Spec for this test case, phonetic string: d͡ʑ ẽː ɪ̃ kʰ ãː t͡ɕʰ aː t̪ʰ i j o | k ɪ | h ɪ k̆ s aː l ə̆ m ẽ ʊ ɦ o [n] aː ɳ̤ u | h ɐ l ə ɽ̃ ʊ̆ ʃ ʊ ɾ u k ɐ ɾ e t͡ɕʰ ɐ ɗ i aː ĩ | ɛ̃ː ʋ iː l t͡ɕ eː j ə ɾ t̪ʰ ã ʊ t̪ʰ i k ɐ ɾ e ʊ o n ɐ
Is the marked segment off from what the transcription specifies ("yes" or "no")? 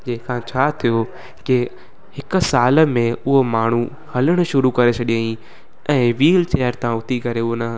yes